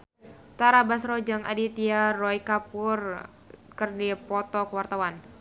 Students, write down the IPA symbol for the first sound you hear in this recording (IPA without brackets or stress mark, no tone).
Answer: t̪